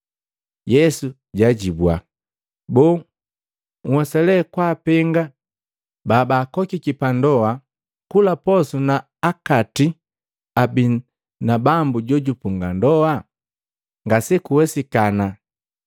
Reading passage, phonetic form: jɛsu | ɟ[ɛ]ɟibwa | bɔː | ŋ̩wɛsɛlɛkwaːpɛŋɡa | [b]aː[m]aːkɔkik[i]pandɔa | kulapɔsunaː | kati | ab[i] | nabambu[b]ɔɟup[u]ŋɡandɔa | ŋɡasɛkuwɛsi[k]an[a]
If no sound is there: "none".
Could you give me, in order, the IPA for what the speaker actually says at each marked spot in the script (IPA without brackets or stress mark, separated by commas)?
a, b, b, i, i, ɟ, u, k, a